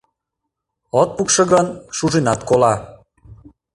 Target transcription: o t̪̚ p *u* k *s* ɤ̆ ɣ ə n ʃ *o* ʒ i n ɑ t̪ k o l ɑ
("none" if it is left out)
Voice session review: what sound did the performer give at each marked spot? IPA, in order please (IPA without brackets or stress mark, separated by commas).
u, ʃ, u